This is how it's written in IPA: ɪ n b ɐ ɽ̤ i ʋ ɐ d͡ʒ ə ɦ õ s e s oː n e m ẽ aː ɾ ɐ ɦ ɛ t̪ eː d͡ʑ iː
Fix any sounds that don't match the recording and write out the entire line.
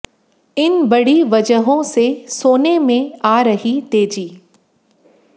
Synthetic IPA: ɪ n b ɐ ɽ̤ i ʋ ɐ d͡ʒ ə ɦ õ s e s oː n e m ẽ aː ɾ ɐ ɦ i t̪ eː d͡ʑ iː